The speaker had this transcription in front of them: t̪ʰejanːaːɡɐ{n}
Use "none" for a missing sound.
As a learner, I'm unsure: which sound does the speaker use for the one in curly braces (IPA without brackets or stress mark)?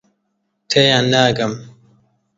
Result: m